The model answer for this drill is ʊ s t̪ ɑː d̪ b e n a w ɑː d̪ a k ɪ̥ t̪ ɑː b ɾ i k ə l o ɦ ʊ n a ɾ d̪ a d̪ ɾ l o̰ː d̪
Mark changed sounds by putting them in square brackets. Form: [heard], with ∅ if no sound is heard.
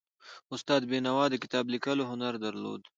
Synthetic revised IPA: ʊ s t̪ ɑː d̪ b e n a w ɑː d̪ [ə] k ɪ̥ t̪ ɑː b [l] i k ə l o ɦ ʊ n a ɾ d̪ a [∅] ɾ l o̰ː d̪